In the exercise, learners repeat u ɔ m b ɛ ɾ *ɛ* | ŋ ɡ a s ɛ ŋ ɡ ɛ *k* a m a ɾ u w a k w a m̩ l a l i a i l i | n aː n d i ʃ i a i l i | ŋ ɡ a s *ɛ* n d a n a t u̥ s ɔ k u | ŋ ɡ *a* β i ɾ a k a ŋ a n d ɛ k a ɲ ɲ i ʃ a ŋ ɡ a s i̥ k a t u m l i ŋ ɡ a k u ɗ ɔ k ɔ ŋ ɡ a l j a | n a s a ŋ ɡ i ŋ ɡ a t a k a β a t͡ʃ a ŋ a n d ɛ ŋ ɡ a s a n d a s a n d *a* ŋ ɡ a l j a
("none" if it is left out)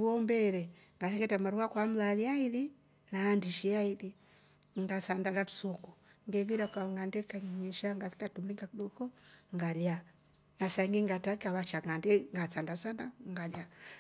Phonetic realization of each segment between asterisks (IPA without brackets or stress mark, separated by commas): ɛ, t, a, ɛ, a